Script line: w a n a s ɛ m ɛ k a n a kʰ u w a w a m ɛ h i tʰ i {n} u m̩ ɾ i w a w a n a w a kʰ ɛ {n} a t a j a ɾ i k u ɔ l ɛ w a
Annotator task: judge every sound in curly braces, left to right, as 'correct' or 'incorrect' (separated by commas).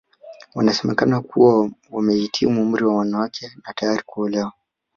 incorrect, correct